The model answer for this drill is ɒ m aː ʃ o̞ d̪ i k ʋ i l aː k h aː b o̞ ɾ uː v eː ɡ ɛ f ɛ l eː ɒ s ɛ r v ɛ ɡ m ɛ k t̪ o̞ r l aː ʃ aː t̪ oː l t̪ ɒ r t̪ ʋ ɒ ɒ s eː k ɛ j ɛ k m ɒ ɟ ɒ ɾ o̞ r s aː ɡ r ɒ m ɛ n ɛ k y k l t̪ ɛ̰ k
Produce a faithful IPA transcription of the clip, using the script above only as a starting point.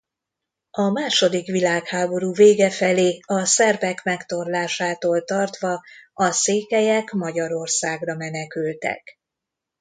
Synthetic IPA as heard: ɒ m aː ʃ o̞ d̪ i k ʋ i l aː k h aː b o̞ ɾ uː v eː ɡ ɛ f ɛ l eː ɒ s ɛ r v ɛ k m ɛ k t̪ o̞ r l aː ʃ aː t̪ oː l t̪ ɒ r t̪ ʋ ɒ ɒ s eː k ɛ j ɛ k m ɒ ɟ ɒ ɾ o̞ r s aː ɡ r ɒ m ɛ n ɛ k y l t̪ ɛ̰ k